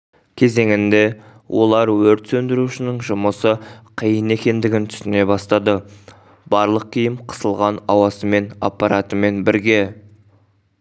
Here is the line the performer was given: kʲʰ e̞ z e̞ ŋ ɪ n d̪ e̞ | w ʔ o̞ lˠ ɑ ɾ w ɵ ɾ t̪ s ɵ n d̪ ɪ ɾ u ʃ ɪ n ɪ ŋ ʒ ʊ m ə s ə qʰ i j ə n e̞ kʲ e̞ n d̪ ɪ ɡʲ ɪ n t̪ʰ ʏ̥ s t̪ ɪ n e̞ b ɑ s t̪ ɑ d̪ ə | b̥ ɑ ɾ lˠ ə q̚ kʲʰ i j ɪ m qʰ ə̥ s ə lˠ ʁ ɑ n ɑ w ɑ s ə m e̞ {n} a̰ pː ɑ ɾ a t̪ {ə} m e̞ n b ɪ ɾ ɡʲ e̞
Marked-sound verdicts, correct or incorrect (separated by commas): correct, correct